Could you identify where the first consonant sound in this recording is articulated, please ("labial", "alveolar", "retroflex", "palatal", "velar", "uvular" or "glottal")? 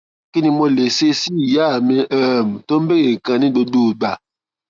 velar